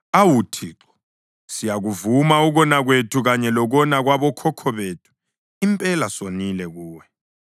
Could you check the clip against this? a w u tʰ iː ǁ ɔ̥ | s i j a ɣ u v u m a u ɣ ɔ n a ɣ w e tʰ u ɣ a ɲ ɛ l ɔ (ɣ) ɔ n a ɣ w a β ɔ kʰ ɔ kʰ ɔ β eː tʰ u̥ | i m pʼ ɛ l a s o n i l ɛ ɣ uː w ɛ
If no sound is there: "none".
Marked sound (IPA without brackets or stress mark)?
ɣ